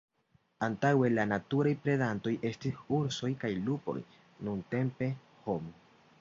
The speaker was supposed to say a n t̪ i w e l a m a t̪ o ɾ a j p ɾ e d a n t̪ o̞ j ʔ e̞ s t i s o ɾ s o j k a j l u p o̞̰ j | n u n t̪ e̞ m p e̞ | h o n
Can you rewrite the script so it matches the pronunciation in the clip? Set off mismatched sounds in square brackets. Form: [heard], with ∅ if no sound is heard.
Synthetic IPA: a n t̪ [a] w e l a [n] a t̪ [u] ɾ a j p ɾ e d a n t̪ o̞ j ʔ e̞ s t i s [u] ɾ s o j k a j l u p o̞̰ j | n u n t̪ e̞ m p e̞ | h o [m]